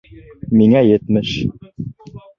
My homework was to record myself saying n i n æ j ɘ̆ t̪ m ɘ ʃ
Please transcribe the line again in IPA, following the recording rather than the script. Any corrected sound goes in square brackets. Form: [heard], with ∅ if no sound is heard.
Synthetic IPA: [m] i [ŋ] æ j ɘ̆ t̪ m ɘ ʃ